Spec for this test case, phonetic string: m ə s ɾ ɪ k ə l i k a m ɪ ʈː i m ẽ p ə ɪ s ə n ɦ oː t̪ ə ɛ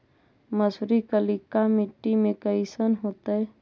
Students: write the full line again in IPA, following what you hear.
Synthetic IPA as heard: m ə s ɾ i k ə l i k a m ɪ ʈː i m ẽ k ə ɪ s ə n ɦ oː t̪ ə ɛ